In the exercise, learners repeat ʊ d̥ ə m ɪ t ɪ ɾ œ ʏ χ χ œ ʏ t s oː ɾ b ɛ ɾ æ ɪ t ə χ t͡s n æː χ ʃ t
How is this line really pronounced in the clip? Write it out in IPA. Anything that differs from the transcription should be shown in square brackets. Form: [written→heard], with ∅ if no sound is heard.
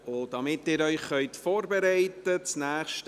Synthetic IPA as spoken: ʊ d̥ [ə→ɑ] m ɪ t [ɪ→ɪː] ɾ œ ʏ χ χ œ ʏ t [s→f] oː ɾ b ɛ ɾ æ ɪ t ə [χ→∅] t͡s n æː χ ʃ t